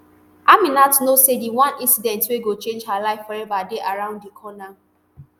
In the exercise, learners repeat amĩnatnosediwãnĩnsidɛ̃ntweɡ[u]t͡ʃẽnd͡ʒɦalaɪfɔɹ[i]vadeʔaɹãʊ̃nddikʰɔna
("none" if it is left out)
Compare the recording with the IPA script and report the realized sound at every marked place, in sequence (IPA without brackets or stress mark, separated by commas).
o, ɛ